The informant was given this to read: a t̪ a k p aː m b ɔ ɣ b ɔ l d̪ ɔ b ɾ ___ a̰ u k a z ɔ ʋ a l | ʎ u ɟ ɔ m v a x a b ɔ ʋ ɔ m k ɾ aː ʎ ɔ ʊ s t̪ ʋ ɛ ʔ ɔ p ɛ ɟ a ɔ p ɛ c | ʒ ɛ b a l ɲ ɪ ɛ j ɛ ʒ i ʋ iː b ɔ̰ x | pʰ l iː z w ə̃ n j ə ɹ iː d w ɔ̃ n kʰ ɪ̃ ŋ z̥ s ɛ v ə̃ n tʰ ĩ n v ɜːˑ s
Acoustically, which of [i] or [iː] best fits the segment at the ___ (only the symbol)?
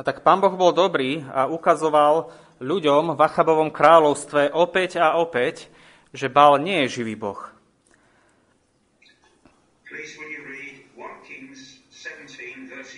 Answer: iː